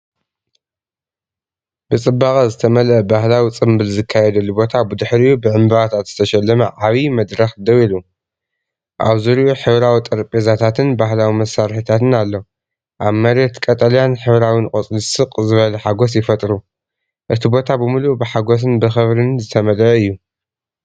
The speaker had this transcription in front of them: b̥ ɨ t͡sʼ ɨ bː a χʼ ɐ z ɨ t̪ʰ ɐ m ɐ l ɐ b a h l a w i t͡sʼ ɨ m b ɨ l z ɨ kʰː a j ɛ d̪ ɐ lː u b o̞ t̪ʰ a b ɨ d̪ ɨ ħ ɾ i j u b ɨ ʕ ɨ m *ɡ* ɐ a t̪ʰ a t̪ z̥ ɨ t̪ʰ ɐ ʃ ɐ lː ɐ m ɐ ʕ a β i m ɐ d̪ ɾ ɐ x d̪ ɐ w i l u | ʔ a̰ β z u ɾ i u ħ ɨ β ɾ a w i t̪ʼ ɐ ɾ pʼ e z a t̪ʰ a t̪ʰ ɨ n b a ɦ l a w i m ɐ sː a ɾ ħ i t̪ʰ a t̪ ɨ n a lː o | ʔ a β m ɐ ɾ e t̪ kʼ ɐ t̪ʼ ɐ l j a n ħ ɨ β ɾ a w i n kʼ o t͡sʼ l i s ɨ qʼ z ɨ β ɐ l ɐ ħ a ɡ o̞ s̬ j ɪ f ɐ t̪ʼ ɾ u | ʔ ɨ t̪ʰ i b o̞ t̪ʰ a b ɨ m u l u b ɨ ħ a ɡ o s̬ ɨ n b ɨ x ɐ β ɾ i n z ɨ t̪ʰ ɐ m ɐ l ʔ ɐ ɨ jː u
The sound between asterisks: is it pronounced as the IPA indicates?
no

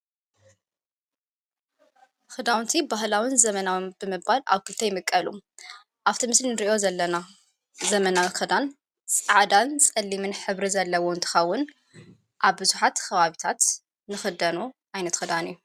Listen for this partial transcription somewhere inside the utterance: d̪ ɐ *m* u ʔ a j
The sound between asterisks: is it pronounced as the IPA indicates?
no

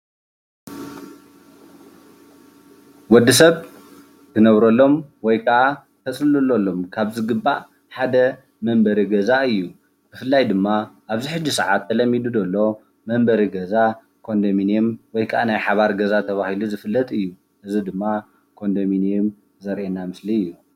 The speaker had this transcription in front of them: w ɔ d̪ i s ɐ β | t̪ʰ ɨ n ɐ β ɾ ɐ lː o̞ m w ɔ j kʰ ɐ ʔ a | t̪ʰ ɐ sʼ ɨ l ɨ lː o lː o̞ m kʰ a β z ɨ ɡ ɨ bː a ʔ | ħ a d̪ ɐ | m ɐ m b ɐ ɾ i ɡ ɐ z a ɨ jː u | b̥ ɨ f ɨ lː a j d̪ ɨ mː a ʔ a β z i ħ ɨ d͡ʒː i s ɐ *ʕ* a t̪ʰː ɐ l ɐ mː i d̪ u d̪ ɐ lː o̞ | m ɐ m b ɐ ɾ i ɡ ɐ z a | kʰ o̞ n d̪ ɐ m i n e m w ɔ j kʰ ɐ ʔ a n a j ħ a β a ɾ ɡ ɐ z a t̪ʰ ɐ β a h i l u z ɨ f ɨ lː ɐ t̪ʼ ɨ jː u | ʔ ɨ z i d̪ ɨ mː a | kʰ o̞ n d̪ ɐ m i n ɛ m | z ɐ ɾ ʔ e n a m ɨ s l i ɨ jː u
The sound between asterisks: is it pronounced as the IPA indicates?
yes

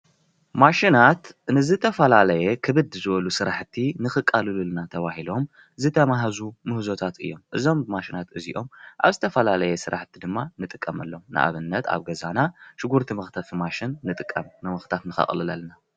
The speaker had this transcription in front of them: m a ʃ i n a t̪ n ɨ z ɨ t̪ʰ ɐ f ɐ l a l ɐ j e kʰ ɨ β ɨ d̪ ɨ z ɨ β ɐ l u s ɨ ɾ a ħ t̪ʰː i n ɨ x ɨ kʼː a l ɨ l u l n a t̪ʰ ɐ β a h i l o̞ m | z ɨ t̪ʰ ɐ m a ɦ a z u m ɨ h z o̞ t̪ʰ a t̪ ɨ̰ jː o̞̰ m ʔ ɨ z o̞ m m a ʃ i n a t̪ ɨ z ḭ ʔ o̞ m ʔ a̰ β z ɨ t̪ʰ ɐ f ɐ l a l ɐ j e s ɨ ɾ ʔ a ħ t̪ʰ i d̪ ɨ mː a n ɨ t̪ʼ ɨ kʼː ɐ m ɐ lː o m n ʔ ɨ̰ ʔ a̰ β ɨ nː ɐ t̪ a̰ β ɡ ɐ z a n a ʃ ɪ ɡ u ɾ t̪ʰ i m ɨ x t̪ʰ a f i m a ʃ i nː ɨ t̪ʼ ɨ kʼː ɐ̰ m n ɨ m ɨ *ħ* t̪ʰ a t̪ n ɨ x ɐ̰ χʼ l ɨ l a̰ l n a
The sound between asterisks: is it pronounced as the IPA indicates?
no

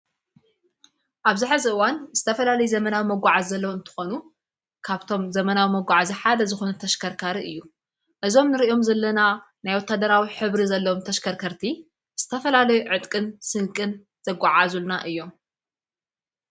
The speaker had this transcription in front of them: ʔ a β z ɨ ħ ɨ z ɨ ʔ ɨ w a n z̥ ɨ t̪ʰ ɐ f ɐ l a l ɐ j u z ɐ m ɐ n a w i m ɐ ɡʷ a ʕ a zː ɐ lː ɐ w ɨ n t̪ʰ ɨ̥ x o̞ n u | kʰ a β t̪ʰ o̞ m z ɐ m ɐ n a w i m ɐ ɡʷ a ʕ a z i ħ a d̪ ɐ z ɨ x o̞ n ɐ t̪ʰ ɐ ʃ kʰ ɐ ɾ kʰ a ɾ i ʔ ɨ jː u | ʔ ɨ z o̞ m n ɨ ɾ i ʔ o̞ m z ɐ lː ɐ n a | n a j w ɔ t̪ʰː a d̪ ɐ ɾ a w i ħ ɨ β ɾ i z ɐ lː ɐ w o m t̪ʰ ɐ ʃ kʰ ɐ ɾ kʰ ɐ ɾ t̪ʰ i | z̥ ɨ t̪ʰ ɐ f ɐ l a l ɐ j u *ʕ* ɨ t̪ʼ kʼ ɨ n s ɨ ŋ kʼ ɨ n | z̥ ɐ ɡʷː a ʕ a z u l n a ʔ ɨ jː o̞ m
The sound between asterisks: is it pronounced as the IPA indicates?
yes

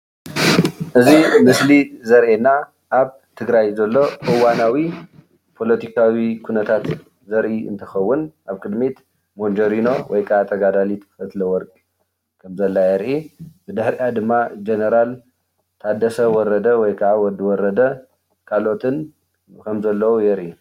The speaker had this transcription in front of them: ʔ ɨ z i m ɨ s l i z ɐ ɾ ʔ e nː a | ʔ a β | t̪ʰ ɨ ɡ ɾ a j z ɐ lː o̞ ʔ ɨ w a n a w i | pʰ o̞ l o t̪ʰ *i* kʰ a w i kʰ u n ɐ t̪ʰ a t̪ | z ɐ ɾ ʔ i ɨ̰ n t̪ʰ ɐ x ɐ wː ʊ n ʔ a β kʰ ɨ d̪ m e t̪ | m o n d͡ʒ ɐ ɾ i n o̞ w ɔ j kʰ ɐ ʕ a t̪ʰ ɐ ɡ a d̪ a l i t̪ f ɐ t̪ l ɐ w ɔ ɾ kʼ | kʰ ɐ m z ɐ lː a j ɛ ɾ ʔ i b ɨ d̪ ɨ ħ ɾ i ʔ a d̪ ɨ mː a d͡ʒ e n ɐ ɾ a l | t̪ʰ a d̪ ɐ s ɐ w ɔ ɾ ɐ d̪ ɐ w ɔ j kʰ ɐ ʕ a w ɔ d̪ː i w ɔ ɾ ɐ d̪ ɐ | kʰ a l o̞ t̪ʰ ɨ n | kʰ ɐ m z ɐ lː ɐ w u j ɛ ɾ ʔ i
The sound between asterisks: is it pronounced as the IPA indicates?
yes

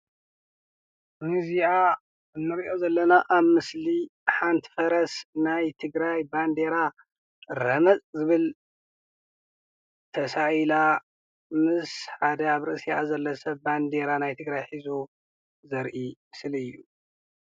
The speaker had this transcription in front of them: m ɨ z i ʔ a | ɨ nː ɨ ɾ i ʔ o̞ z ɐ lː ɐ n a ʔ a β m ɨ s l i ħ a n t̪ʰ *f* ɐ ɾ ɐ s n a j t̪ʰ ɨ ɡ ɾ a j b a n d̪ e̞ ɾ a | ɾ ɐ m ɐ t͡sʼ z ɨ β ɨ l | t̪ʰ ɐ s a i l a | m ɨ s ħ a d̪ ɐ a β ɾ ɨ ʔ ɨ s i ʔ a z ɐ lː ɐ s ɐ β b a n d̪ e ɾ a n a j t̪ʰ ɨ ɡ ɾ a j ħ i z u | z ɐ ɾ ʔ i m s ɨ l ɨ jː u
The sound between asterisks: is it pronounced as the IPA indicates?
yes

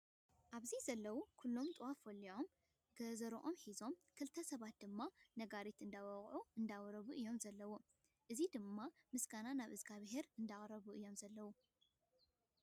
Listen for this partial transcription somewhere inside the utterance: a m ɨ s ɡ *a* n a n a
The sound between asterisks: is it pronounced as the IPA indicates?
yes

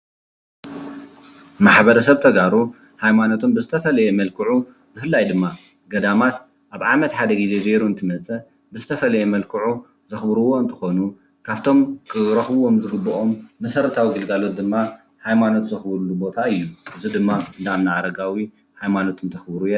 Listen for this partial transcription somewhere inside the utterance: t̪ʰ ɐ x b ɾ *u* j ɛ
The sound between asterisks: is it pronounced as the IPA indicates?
yes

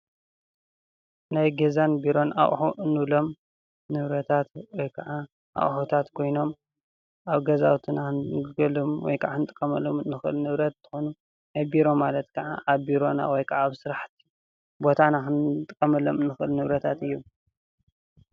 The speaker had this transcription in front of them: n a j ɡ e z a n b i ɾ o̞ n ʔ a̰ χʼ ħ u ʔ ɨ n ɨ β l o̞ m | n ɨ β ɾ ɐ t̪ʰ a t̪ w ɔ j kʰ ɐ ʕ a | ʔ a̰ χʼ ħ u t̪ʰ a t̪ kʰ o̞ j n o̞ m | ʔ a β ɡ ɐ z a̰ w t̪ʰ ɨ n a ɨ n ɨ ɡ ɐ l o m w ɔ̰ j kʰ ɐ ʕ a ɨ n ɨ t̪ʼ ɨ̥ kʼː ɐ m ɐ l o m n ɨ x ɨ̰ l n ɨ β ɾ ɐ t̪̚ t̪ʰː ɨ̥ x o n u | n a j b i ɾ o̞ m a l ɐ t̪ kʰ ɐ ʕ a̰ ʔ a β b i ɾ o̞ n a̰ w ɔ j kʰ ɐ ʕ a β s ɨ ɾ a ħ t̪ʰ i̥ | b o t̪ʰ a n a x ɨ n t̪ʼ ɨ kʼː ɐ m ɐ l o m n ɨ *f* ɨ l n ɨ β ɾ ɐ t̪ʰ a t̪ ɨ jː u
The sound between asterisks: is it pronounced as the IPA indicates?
no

